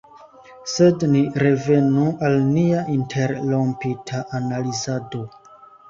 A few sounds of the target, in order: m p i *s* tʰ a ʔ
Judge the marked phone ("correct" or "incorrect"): incorrect